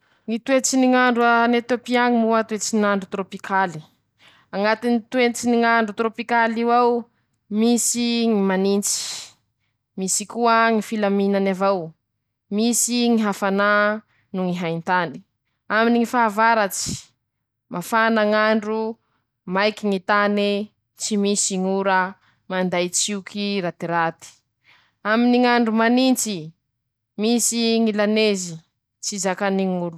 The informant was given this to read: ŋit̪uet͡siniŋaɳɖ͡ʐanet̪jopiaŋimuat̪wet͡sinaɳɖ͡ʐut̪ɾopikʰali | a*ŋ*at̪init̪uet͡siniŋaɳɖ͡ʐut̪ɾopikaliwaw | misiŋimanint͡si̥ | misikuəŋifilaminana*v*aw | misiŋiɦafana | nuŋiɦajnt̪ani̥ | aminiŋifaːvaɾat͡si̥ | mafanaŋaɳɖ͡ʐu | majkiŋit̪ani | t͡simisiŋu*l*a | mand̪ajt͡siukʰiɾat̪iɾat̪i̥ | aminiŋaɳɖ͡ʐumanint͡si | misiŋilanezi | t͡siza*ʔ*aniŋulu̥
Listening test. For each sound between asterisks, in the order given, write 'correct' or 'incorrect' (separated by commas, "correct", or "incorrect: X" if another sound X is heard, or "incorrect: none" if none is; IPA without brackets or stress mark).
correct, correct, incorrect: ɾ, incorrect: k